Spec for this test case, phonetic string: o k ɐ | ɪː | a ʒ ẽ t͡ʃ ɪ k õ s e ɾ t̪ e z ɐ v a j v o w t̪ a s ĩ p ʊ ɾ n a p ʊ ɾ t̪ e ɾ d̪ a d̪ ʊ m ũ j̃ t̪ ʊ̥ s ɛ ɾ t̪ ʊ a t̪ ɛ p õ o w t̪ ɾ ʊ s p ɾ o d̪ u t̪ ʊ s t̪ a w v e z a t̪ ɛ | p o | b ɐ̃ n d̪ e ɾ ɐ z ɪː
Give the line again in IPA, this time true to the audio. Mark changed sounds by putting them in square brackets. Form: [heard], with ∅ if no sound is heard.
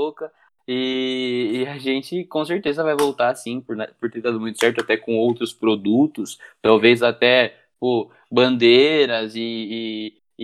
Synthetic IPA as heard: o k ɐ | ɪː | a ʒ ẽ t͡ʃ ɪ k õ s e ɾ t̪ e z ɐ v a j v o w t̪ a s ĩ p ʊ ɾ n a p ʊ ɾ t̪ e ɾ d̪ a d̪ ʊ m ũ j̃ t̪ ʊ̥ s ɛ ɾ t̪ ʊ a t̪ ɛ [k] õ o w t̪ ɾ ʊ s p ɾ o d̪ u t̪ ʊ s t̪ a w v e z a t̪ ɛ | p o | b ɐ̃ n d̪ e ɾ ɐ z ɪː